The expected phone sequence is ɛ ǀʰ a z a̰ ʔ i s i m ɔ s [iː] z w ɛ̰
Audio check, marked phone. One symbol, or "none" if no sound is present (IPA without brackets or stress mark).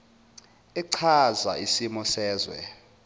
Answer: ɛː